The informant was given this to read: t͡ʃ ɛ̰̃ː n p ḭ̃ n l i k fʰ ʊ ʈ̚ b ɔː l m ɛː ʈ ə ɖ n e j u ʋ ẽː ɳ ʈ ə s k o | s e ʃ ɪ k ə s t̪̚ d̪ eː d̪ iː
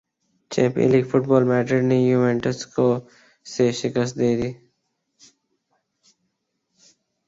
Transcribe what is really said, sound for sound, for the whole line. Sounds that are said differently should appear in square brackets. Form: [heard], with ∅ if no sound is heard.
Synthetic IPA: t͡ʃ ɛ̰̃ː [m] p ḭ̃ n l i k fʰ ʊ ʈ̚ b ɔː l m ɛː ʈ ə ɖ n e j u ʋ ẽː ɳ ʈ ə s k o | s e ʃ ɪ k ə s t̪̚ d̪ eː d̪ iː